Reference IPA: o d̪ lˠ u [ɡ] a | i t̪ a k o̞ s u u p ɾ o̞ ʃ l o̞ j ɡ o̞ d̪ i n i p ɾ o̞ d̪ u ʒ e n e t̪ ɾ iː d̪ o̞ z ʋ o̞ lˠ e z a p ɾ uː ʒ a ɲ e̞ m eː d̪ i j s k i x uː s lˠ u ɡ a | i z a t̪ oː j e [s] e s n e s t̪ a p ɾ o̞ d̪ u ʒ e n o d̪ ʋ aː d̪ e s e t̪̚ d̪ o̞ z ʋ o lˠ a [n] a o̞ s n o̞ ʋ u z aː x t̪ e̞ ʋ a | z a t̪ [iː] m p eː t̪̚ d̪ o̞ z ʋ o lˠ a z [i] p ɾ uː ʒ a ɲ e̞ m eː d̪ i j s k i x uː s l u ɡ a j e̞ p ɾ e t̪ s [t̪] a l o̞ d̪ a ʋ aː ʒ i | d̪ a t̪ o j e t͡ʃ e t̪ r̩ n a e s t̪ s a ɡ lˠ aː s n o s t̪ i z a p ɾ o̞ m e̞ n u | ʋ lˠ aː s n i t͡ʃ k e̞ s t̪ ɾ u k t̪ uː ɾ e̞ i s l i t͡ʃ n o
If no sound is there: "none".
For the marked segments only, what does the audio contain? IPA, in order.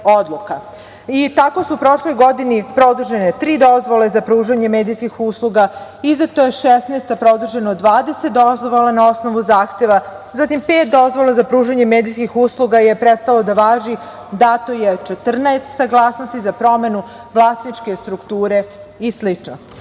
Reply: k, ʃ, n, i, a, t̪

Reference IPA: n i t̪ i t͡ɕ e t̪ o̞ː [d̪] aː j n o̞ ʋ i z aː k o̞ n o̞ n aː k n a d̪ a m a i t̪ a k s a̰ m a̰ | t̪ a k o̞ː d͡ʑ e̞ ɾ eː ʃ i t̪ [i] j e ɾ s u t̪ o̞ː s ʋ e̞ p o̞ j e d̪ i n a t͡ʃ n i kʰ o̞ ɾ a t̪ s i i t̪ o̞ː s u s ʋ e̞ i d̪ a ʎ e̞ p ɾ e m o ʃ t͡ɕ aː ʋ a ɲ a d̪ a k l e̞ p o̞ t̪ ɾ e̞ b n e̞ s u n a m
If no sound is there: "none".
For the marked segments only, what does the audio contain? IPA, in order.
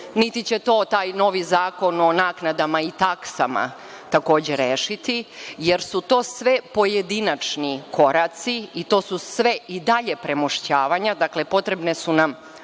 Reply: t̪, i

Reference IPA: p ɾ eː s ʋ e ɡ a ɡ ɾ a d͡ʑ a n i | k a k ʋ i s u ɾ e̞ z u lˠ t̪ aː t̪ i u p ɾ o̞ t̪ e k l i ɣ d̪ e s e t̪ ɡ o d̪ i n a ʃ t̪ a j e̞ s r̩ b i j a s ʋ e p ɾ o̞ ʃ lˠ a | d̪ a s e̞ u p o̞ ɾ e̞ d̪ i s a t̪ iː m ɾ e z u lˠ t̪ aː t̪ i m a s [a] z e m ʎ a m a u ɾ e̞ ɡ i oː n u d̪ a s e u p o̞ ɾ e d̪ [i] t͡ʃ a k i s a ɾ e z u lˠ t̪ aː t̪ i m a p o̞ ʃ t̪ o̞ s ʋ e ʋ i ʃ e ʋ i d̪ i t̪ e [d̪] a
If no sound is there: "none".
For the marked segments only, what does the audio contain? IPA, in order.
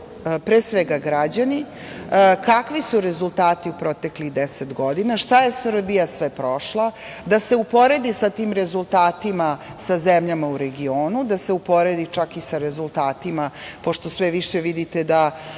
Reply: a, i, d̪

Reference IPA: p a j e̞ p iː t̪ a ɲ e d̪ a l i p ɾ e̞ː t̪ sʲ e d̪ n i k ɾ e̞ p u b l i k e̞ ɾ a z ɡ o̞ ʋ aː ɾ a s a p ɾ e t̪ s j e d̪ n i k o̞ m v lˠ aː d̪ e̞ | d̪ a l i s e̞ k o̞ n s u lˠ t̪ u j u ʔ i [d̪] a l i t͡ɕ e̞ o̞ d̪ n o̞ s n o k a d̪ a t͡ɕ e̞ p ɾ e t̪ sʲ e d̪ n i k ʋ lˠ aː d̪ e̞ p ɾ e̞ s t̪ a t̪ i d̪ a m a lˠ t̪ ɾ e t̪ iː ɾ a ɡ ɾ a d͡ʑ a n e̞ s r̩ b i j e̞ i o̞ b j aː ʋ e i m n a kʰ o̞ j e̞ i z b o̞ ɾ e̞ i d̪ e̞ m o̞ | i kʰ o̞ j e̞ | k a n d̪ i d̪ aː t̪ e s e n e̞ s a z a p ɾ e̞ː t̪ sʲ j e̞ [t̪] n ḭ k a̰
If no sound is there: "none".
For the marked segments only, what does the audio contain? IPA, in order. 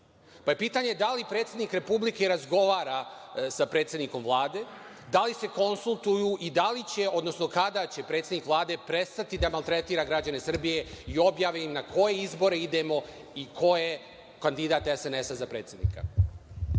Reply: d̪, d̪

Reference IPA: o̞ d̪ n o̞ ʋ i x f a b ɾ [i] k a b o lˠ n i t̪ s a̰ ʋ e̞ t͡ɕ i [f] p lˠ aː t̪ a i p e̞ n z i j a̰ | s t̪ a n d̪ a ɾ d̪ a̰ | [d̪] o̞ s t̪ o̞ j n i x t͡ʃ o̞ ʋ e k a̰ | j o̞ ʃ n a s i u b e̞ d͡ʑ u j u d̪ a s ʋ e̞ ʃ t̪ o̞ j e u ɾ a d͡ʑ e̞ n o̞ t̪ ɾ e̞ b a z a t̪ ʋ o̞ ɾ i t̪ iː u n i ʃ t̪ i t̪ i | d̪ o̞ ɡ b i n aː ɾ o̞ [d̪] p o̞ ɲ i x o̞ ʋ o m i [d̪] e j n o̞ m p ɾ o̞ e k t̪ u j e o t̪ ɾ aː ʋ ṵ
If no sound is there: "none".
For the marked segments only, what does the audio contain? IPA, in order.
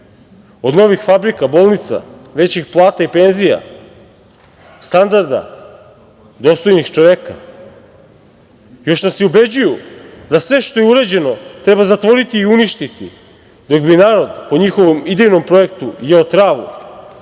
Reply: i, x, d̪, d̪, d̪

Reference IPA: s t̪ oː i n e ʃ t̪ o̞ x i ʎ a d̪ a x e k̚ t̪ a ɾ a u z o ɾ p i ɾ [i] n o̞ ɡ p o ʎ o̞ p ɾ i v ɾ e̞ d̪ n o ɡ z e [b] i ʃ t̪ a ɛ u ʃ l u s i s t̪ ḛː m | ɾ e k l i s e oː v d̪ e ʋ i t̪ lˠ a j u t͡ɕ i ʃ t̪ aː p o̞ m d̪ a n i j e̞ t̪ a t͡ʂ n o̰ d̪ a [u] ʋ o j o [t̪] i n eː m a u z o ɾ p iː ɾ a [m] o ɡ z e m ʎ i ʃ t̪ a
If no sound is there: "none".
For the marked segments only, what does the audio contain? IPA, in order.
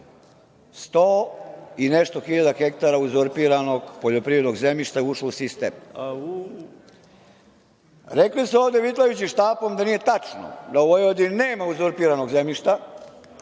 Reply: a, m, o, d̪, n

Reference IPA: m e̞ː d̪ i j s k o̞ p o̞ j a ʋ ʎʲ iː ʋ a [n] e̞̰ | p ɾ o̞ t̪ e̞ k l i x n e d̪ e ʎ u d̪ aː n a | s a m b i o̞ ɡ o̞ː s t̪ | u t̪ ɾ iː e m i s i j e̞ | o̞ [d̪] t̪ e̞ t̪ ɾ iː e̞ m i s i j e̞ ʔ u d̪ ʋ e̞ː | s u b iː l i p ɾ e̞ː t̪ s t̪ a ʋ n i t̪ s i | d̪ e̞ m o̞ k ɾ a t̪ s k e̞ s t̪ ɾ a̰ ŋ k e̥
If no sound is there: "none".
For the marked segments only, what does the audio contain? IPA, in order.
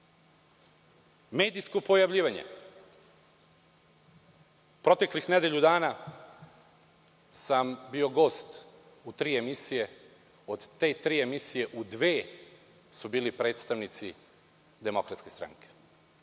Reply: ɲ, d̪

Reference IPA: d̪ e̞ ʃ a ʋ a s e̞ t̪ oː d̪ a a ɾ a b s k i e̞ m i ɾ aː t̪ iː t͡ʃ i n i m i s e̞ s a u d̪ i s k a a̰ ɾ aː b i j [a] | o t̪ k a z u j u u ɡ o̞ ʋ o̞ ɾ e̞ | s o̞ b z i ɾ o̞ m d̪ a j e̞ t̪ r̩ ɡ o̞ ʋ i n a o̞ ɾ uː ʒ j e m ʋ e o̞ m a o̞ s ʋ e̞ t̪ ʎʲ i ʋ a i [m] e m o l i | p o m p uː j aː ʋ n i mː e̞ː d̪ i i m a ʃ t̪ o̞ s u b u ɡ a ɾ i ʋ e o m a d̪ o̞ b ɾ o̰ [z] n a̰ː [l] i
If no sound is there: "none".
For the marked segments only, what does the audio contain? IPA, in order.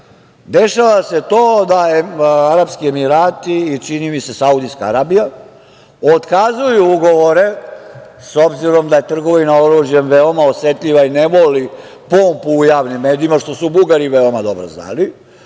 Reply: a, n, z, l

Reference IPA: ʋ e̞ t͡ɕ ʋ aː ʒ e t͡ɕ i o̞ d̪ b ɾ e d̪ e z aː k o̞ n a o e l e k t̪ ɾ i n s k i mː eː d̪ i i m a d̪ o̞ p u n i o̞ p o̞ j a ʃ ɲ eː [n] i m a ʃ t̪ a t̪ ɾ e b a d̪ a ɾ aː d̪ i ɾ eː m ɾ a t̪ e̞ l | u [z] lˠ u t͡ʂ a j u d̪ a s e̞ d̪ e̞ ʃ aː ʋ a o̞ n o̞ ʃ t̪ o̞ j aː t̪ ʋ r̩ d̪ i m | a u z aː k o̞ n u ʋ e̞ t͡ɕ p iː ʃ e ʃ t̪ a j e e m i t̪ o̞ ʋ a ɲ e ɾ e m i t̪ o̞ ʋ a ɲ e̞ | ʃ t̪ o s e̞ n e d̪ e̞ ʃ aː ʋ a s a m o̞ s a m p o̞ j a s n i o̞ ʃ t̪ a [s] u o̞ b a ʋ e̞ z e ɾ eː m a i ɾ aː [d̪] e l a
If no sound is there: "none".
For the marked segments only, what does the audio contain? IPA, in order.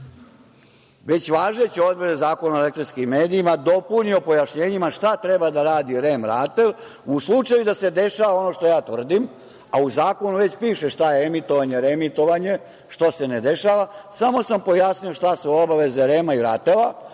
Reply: ɲ, s, s, t̪

